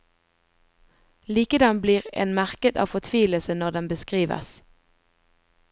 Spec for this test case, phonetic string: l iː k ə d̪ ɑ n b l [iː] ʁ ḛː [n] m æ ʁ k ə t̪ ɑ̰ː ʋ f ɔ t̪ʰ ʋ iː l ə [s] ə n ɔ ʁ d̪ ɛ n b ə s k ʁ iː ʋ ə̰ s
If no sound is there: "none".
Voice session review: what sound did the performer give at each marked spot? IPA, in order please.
iː, n, s

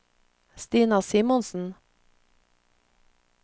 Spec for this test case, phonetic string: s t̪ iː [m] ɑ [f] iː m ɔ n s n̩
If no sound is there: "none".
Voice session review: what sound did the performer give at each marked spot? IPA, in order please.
n, s

